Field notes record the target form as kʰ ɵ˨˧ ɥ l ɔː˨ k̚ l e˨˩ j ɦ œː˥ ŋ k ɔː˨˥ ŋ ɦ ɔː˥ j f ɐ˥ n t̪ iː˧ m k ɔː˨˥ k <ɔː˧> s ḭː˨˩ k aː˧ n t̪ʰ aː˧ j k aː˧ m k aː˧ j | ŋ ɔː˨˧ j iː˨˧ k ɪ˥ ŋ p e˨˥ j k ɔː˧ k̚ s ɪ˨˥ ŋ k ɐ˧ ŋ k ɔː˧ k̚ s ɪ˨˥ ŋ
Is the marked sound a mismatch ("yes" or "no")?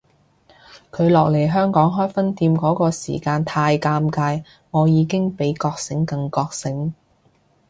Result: no